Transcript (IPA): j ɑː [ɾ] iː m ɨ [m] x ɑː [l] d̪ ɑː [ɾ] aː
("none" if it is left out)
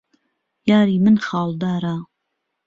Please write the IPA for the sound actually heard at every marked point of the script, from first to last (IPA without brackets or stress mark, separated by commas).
ɾ, n, l, ɾ